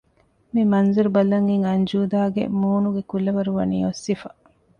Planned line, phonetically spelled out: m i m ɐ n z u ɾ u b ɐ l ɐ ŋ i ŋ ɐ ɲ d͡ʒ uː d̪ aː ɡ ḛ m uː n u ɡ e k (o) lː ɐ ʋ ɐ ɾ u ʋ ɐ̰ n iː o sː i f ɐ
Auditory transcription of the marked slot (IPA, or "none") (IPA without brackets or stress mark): u